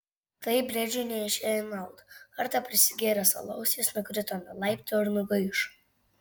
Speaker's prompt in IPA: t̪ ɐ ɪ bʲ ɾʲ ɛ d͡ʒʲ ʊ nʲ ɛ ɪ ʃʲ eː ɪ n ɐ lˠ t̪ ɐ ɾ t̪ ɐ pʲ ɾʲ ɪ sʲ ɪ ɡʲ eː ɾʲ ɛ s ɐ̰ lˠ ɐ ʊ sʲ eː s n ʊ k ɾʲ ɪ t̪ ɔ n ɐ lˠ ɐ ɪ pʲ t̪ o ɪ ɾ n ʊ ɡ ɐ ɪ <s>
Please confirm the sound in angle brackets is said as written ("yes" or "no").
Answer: no